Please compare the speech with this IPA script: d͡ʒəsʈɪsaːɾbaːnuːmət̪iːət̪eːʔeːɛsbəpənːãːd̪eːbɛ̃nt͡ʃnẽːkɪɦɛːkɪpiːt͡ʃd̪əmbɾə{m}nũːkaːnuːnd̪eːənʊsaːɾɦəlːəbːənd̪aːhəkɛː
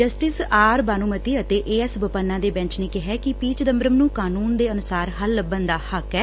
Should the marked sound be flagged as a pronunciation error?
no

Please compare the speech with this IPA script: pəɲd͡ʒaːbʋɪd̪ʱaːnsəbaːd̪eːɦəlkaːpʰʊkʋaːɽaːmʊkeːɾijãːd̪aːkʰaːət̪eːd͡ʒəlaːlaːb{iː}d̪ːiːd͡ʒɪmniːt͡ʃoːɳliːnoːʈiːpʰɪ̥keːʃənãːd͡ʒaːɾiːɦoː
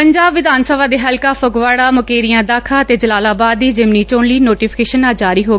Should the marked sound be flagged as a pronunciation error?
yes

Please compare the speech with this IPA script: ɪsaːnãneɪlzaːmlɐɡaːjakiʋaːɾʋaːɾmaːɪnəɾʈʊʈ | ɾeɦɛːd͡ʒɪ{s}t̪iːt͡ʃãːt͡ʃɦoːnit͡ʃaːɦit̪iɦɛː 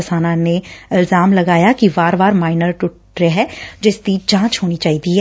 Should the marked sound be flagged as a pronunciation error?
no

